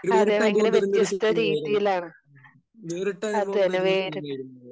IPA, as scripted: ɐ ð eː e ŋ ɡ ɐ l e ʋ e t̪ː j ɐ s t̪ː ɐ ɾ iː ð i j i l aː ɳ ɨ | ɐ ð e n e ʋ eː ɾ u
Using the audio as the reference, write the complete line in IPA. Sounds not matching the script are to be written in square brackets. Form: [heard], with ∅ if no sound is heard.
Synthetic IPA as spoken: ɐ ð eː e ŋ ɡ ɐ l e ʋ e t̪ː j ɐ s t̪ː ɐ ɾ iː ð i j i l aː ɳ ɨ | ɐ ð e n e ʋ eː ɾ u

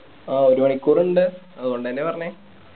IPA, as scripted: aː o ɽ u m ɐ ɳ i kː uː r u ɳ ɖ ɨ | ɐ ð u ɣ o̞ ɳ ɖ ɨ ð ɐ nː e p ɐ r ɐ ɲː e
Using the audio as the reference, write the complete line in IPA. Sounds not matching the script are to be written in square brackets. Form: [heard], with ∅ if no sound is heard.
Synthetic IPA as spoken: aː o [ɾ] u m ɐ ɳ i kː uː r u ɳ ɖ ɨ | ɐ ð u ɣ o̞ ɳ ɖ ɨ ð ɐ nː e p ɐ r ɐ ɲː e

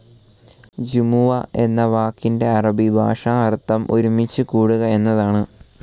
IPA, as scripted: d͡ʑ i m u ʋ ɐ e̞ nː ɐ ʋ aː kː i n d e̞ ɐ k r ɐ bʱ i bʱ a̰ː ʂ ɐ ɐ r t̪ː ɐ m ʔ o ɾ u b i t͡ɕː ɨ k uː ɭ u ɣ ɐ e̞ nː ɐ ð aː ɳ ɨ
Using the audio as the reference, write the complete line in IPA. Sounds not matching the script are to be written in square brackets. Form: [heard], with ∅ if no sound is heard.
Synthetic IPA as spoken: d͡ʑ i m u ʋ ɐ e̞ nː ɐ ʋ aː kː i n d e̞ ɐ [∅] r ɐ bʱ i bʱ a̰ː ʂ ɐ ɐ r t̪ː ɐ m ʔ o ɾ u [m] i t͡ɕː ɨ k uː [ɽ] u ɣ ɐ e̞ nː ɐ ð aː ɳ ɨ

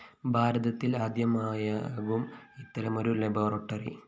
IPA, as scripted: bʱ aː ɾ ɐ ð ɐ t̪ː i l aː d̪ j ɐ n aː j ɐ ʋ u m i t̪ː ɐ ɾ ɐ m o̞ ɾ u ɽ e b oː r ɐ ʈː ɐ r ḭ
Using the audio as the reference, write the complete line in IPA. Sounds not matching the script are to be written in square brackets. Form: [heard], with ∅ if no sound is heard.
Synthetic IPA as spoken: bʱ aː ɾ ɐ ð ɐ t̪ː i l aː d̪ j ɐ [m] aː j ɐ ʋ u m i t̪ː ɐ ɾ ɐ m o̞ ɾ u [l] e b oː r ɐ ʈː ɐ r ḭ

